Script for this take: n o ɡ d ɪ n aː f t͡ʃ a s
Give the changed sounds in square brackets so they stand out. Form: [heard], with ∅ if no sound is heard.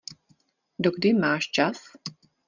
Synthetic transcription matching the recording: [d] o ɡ d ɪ [m] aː [ʃ] t͡ʃ a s